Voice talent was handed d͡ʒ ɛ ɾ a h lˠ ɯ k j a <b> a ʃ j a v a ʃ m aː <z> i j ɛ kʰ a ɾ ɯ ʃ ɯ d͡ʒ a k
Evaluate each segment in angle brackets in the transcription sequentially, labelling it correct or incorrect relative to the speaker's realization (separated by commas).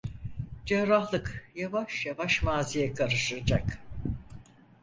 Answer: incorrect, correct